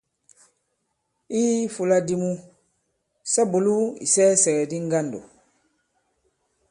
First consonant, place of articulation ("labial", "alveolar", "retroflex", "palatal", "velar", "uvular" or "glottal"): labial